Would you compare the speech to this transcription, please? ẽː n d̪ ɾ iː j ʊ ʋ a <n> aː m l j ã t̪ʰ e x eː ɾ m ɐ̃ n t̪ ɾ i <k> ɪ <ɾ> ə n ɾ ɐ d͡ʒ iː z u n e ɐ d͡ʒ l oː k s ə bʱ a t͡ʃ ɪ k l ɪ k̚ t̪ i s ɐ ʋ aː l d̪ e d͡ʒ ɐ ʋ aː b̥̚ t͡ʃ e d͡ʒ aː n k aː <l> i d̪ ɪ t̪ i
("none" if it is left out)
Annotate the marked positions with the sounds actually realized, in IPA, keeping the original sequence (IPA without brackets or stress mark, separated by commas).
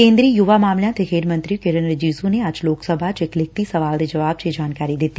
m, k, ɾ, ɾ